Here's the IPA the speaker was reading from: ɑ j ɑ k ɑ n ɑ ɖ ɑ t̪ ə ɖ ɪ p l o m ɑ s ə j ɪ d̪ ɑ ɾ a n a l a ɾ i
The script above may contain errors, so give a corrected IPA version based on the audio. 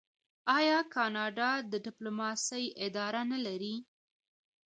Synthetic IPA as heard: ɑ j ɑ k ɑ n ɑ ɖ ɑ d̪ ə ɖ ɪ p l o m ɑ s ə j ɪ d̪ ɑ ɾ a n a l a ɾ i